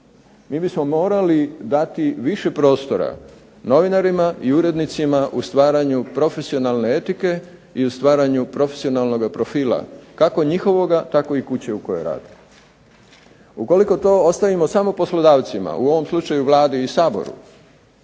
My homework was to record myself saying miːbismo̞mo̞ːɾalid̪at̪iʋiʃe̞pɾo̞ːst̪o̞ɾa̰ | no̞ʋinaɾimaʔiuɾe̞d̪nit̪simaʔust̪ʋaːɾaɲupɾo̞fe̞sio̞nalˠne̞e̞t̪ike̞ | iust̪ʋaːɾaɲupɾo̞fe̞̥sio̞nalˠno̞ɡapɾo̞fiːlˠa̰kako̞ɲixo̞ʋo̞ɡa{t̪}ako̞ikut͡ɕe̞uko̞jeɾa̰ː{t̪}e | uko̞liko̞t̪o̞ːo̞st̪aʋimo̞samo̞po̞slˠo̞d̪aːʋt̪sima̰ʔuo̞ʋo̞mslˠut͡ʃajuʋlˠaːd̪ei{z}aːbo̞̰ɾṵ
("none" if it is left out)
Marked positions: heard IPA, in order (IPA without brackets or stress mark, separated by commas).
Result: t̪, d̪, s